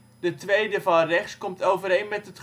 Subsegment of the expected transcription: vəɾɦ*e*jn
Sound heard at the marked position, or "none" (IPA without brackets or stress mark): e